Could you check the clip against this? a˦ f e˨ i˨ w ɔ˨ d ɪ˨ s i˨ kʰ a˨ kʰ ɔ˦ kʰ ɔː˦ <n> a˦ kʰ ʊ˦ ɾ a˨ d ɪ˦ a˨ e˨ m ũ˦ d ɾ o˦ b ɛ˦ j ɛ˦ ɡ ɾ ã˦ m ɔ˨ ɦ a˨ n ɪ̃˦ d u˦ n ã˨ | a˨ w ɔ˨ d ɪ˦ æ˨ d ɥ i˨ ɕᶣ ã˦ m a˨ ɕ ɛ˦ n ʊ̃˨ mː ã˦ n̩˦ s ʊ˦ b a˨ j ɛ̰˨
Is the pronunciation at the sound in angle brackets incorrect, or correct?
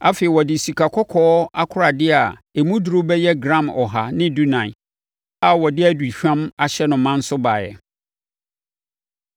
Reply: incorrect